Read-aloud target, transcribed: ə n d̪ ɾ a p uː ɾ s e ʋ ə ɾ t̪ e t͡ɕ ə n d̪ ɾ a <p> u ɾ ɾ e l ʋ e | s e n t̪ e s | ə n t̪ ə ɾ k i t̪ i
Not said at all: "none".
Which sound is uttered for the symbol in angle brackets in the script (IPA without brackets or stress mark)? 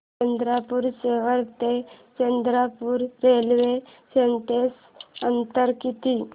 p